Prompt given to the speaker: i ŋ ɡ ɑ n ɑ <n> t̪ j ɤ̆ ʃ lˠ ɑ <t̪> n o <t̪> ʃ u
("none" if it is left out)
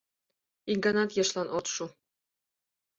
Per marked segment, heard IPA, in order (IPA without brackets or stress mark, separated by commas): none, none, t̪